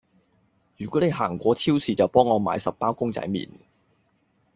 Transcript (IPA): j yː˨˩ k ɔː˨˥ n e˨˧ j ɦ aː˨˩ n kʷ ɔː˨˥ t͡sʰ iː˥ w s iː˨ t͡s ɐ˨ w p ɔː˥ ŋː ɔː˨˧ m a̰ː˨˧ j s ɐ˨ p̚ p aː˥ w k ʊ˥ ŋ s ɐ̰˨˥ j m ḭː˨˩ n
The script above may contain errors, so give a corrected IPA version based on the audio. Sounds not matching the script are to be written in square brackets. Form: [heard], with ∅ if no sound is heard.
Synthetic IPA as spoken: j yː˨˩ k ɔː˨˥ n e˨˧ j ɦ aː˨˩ [ŋ] kʷ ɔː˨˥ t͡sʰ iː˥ w s iː˨ t͡s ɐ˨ w p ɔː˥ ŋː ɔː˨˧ m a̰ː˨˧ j s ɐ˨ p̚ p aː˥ w k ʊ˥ ŋ [t͡s] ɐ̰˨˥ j m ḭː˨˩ n